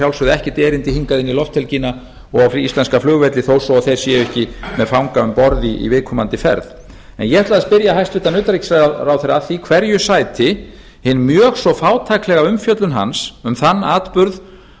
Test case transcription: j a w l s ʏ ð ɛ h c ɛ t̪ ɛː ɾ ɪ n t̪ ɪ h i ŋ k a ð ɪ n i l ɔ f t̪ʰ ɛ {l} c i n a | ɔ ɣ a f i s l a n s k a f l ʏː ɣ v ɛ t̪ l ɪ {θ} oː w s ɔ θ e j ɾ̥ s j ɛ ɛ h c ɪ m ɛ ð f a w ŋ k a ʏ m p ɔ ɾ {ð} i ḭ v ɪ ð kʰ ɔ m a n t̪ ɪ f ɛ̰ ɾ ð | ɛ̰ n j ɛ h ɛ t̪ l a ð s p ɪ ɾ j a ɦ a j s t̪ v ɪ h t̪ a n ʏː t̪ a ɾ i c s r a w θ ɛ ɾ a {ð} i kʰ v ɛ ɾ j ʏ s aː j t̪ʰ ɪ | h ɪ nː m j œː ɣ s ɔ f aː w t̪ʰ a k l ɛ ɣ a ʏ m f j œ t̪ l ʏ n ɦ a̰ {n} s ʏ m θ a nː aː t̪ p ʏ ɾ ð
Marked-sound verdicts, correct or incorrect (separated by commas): correct, correct, correct, incorrect, correct